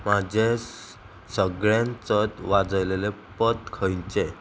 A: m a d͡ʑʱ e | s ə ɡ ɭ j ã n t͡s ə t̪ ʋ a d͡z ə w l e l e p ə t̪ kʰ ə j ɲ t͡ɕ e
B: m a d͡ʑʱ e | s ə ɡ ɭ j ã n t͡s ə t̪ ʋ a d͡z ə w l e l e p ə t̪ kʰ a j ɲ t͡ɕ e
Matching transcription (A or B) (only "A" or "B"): A